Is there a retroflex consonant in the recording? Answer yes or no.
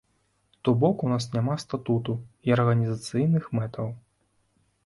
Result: no